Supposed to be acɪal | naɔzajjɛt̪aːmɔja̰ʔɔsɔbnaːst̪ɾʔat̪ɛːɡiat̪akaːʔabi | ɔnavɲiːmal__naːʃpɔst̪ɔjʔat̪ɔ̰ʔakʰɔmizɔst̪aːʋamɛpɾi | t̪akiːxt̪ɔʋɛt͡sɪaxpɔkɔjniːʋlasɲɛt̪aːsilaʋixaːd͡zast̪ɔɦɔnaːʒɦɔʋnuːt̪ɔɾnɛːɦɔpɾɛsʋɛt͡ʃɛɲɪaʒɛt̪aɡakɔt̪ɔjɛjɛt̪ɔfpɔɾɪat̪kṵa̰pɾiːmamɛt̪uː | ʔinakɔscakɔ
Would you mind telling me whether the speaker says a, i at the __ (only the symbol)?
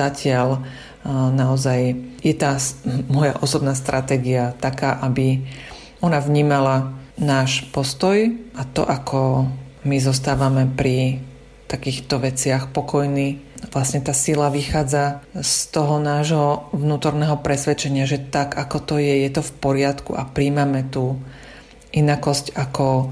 a